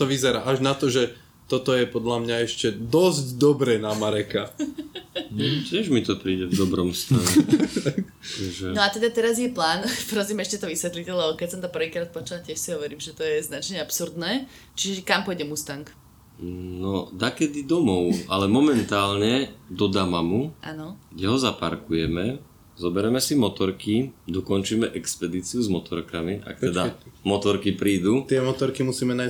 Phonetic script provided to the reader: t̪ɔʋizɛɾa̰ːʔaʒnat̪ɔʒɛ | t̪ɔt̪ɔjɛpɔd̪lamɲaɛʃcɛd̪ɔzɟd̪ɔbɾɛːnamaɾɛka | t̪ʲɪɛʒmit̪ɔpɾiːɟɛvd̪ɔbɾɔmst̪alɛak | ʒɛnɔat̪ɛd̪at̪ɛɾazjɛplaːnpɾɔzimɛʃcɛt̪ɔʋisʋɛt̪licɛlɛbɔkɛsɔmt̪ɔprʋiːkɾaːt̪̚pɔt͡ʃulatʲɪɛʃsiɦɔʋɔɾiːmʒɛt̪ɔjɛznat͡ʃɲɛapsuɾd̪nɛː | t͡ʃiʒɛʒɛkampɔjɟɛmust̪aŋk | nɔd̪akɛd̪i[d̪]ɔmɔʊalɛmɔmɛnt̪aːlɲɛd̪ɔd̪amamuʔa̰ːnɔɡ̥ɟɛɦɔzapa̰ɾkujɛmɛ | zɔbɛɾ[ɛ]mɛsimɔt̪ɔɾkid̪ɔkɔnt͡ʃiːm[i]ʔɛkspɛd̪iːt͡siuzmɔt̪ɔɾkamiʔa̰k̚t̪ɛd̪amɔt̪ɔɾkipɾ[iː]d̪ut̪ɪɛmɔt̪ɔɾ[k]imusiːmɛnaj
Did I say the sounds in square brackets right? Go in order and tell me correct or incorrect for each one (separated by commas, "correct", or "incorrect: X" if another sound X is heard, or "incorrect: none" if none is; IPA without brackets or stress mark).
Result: correct, correct, incorrect: ɛ, correct, correct